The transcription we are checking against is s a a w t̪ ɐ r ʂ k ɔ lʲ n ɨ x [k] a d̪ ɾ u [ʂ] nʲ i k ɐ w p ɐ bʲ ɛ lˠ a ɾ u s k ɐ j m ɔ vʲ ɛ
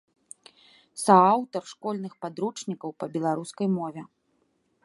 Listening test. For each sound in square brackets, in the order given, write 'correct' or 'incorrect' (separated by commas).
incorrect, incorrect